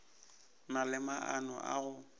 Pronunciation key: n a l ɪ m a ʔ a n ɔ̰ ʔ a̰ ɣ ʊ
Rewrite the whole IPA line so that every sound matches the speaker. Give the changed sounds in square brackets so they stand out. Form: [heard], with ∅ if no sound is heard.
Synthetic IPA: n a l ɪ m a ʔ a n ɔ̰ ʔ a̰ ɣ ʊ